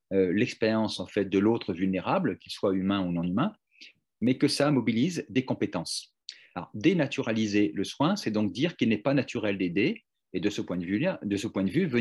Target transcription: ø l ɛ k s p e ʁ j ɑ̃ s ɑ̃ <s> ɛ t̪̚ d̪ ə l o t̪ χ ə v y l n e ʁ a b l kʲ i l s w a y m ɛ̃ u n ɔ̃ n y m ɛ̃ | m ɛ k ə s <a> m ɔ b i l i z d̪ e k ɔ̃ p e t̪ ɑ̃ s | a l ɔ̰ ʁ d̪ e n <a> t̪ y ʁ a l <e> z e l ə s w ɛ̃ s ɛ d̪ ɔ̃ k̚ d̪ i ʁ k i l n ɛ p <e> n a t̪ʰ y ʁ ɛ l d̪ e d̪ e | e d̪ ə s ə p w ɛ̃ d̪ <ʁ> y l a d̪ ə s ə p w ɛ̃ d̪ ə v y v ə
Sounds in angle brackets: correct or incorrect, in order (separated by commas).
incorrect, correct, correct, incorrect, incorrect, incorrect